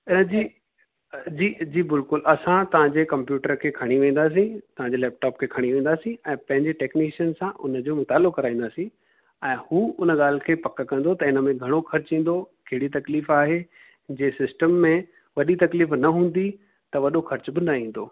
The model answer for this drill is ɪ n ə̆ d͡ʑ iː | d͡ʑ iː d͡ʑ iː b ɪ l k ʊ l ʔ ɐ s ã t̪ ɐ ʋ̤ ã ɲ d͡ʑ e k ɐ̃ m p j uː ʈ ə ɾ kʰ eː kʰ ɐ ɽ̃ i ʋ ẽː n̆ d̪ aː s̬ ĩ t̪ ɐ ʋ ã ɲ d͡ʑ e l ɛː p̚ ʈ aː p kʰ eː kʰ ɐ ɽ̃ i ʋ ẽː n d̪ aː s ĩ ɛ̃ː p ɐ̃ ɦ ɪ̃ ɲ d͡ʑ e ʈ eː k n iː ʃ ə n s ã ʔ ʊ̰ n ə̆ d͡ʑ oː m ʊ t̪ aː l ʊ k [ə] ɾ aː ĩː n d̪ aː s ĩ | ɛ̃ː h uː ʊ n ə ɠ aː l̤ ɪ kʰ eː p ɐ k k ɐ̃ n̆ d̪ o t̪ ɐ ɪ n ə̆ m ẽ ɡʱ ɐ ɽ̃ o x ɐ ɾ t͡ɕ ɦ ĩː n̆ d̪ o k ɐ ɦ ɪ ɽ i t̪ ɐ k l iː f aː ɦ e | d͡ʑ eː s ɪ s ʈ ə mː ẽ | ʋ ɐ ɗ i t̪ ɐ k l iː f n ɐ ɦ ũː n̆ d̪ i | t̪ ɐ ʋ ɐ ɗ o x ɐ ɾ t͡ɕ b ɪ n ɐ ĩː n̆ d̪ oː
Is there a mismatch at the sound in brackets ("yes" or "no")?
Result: yes